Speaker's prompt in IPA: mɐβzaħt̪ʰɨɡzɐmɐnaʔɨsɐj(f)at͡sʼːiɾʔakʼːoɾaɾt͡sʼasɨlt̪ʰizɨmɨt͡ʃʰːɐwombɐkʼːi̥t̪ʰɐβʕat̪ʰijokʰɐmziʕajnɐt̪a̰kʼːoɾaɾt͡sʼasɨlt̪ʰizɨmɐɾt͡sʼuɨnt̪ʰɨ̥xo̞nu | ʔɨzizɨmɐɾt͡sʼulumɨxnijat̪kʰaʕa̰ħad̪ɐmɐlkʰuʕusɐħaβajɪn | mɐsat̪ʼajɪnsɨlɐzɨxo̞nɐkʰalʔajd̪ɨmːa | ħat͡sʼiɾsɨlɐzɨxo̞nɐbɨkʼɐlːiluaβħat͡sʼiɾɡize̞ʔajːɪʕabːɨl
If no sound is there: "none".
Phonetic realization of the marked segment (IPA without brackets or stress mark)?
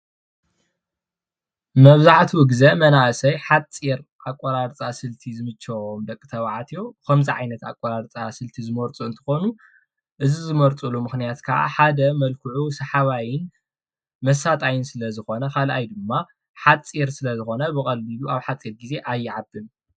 ħ